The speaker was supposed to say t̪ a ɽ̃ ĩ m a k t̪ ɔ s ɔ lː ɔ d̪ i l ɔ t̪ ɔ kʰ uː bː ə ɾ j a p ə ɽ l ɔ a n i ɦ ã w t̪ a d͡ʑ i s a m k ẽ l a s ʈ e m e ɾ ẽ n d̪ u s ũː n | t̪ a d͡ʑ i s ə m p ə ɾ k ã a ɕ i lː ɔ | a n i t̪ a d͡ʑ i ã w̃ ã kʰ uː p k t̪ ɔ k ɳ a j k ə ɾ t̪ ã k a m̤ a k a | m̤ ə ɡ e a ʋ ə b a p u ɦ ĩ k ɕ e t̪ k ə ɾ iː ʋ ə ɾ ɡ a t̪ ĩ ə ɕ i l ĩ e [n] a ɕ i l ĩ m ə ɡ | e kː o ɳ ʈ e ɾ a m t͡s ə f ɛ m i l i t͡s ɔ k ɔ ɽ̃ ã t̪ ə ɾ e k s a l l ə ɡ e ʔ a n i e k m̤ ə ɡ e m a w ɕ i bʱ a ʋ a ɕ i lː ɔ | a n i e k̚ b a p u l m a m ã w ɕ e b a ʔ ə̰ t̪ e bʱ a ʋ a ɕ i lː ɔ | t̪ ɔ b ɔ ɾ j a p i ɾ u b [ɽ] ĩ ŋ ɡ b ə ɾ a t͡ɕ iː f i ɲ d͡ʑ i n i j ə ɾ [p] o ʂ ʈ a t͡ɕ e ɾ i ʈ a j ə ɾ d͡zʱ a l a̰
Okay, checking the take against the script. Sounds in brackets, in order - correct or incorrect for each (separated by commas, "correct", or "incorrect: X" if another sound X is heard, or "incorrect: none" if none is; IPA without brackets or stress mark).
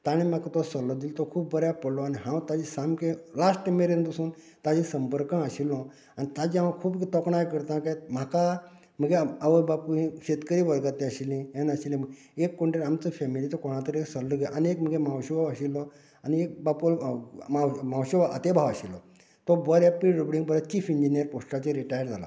correct, correct, correct